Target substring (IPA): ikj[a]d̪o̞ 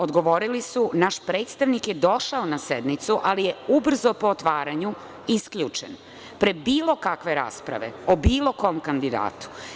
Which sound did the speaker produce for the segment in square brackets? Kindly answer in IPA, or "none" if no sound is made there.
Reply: e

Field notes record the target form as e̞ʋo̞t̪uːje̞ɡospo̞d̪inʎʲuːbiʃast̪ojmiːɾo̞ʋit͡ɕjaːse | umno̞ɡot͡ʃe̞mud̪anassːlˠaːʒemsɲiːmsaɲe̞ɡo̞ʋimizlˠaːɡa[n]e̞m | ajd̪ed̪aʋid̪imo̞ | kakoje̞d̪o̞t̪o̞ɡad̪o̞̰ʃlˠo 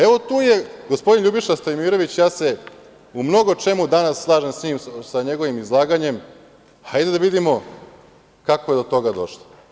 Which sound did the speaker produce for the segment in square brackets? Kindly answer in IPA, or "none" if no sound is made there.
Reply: ɲ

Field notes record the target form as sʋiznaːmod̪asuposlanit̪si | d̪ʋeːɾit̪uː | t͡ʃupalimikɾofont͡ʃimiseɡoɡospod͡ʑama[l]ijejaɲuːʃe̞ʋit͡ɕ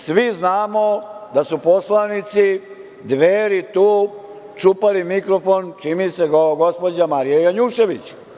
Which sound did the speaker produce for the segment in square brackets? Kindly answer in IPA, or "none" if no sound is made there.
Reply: ɾ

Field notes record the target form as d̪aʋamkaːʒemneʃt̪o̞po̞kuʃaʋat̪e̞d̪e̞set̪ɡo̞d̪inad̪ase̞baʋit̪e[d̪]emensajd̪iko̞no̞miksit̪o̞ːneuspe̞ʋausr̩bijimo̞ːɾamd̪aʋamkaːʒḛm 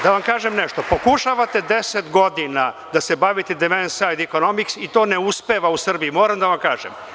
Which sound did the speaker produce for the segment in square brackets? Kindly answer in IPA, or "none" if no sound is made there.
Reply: d̪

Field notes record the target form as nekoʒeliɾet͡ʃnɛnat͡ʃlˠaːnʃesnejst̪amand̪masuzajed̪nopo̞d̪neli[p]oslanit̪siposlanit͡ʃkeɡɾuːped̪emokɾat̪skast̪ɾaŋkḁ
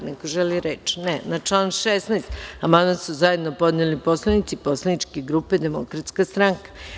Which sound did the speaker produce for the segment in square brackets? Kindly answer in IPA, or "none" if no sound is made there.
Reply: p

